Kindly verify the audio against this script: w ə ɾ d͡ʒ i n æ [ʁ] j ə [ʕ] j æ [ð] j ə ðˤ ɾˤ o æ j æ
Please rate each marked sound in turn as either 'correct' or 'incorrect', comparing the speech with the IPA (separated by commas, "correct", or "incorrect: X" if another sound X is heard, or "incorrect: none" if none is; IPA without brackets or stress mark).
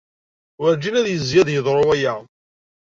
incorrect: ð, incorrect: z, correct